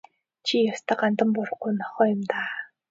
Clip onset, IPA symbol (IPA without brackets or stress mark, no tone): t͡ɕʰ